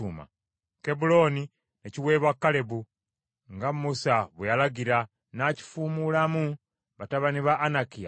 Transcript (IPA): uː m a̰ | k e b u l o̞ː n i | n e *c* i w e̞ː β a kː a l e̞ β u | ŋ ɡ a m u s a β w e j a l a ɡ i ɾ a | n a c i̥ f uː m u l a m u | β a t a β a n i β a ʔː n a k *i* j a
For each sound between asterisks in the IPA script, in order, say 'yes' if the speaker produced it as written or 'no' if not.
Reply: yes, yes

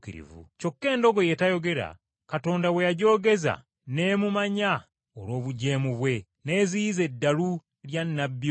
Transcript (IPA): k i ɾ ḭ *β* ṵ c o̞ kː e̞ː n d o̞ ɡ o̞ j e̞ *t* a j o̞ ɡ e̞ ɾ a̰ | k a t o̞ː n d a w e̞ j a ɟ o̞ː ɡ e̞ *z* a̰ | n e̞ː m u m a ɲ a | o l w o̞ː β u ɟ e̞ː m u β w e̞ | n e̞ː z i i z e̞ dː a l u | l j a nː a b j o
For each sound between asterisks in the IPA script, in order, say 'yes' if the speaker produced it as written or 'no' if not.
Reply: no, yes, yes

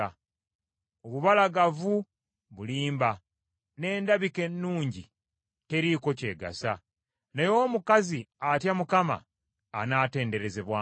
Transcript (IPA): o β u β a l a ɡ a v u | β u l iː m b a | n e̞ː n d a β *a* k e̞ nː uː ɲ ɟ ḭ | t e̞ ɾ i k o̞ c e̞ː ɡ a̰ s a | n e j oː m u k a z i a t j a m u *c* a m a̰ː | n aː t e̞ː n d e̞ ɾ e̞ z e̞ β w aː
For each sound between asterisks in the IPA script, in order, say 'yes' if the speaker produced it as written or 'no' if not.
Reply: no, no

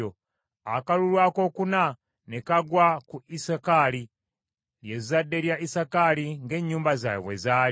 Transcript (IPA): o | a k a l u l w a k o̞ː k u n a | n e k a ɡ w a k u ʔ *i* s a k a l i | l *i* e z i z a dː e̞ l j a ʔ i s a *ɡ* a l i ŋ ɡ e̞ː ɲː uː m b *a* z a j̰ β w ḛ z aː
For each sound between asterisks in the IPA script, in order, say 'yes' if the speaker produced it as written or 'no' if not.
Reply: yes, no, no, yes

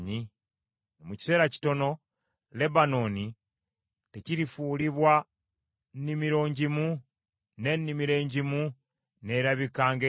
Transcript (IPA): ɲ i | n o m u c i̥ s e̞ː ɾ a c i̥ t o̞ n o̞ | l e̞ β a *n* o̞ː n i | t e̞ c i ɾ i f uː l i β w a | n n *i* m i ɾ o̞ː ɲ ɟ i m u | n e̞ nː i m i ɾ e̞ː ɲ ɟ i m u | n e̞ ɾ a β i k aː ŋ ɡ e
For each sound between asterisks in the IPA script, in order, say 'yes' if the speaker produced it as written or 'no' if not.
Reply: yes, yes

